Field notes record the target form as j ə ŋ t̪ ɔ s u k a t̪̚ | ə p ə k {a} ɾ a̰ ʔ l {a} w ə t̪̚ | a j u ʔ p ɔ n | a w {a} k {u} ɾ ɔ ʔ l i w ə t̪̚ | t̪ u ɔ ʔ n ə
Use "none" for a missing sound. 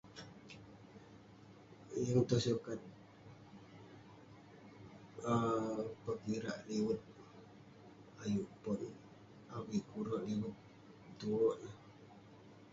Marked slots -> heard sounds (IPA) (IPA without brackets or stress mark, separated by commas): i, i, i, u